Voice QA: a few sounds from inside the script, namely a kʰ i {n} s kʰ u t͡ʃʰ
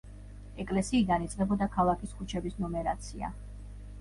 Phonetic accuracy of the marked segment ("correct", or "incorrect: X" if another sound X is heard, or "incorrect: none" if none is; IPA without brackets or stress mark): incorrect: none